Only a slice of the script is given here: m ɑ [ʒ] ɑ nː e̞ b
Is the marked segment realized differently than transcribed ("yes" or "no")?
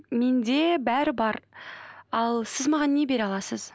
yes